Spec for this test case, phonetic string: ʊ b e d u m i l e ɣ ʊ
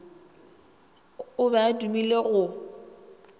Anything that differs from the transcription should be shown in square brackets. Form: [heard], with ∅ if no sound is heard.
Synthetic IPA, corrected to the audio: ʊ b [a] d u m i l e ɣ ʊ

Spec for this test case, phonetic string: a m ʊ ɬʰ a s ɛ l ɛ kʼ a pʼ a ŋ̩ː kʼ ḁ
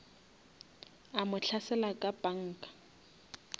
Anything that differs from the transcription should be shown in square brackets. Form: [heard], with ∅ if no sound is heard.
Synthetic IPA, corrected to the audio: a m ʊ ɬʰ a s ɛ l [a] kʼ a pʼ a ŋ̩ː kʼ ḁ

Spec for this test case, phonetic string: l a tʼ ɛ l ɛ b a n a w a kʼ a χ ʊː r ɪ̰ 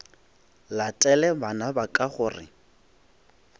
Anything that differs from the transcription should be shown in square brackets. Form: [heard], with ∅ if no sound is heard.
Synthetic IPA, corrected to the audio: l a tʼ ɛ l ɛ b a n a [b] a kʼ a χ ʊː r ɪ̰

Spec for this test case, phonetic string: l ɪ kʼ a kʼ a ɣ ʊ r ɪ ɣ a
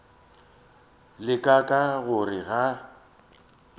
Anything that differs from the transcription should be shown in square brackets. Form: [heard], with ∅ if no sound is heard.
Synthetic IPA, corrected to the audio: l ɪ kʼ a kʼ a ɣ ʊ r ɪ ɣ a

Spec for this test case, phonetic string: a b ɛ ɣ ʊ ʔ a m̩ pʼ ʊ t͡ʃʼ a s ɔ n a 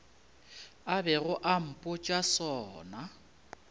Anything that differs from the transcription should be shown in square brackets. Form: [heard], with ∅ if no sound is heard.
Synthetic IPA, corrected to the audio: a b ɛ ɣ ʊ ʔ a m̩ pʼ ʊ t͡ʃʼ a s [ɔː] n a

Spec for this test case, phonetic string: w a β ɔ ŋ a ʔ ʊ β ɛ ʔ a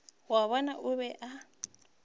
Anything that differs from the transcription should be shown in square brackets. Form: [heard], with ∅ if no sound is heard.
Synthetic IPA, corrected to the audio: w a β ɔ [n] a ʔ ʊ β ɛ ʔ a

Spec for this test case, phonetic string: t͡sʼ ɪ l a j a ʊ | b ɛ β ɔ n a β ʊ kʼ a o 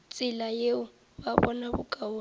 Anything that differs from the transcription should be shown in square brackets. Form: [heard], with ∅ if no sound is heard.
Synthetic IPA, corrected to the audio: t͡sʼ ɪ l a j [e] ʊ | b [a] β ɔ n a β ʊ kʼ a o

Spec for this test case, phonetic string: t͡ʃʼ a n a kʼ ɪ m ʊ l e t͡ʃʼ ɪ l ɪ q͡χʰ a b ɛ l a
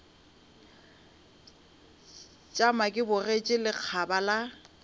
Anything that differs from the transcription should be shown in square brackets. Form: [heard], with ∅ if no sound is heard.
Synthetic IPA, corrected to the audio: t͡ʃʼ a [m] a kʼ ɪ [b] ʊ [r] e t͡ʃʼ ɪ l ɪ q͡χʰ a b [a] l a

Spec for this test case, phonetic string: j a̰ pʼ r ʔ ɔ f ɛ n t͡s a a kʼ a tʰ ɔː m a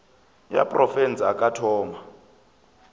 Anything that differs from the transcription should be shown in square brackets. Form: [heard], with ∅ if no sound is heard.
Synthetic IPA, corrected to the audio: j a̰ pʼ r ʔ ɔ f ɛ n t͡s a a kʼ a tʰ ɔː m a

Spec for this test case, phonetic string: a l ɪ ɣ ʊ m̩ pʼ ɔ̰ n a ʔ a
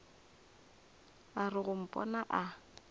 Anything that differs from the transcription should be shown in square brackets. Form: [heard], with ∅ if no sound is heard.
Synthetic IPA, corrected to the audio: a [r] ɪ ɣ ʊ m̩ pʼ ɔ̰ n a ʔ a

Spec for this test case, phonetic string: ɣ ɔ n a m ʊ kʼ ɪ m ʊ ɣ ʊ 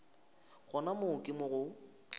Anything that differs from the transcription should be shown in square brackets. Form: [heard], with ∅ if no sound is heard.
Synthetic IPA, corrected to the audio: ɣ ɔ n a m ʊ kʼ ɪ m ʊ ɣ ʊ

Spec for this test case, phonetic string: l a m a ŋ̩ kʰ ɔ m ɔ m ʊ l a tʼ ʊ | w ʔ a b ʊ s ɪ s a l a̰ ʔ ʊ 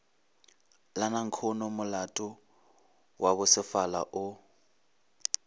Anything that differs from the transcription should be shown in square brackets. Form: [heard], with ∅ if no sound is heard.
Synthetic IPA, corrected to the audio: l a [n] a ŋ̩ kʰ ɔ [n] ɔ m ʊ l a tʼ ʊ | w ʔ a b ʊ s ɪ [f] a l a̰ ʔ ʊ

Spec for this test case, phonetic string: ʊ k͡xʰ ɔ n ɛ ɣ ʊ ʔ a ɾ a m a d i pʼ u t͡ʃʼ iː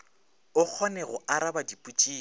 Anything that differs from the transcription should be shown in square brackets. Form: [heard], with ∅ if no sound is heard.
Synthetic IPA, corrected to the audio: ʊ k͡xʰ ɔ n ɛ ɣ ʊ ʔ a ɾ a [b] a d i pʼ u t͡ʃʼ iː

